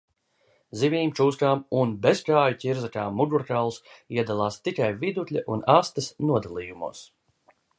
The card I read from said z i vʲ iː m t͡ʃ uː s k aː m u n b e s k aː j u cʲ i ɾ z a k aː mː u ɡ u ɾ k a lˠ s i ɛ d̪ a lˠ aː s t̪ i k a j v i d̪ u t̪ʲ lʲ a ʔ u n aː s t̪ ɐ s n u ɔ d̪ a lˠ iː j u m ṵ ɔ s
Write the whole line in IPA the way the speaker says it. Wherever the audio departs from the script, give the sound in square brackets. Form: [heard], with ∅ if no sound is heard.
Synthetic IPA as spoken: z i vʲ iː m t͡ʃ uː s k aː m u n b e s k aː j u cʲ i ɾ z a k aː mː u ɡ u ɾ k a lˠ s i ɛ d̪ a lˠ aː s t̪ i k a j v i d̪ u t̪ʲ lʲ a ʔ u n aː s t̪ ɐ s n u ɔ d̪ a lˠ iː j u m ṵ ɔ s